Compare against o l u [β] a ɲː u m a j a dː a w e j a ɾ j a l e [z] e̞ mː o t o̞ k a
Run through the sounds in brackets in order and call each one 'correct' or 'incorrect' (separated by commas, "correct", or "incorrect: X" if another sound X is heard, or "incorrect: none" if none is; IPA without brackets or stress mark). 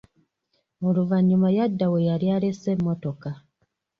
incorrect: v, incorrect: s